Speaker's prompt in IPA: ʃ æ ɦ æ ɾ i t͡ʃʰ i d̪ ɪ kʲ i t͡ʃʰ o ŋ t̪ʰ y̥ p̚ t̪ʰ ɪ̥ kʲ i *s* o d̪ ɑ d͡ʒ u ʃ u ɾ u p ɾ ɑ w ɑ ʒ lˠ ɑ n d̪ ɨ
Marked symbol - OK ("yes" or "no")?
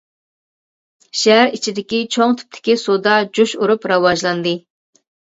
yes